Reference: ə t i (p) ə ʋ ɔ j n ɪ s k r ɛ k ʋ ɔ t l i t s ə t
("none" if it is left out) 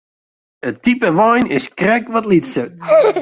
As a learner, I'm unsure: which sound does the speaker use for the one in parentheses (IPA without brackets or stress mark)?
p